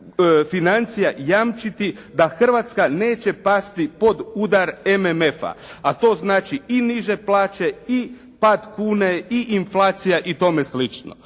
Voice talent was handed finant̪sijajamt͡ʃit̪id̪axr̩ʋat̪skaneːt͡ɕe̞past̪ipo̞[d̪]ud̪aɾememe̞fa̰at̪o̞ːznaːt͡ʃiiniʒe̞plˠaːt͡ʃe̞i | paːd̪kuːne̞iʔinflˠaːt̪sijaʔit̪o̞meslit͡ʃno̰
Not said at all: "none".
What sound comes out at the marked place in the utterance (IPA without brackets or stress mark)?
d̪